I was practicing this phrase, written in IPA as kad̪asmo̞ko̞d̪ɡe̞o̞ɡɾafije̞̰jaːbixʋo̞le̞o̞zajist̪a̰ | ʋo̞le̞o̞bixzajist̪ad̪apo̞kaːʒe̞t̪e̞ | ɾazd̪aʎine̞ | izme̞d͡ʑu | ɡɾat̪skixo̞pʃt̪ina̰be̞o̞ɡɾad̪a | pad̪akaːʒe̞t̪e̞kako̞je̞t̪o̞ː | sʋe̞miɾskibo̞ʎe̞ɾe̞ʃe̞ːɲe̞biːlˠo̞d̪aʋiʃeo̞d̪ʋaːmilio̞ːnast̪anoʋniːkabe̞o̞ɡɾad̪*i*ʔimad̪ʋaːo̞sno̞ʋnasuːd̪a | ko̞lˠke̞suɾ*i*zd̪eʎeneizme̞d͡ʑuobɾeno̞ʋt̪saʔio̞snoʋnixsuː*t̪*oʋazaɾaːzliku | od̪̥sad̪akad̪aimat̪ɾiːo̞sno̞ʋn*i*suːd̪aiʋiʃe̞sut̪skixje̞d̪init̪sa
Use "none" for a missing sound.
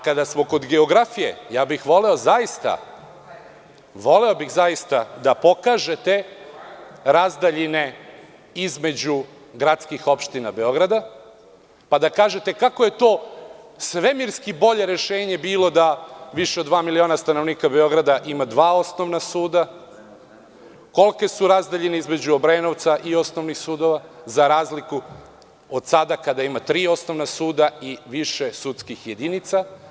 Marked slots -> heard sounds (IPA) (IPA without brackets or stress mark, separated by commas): a, a, d̪, a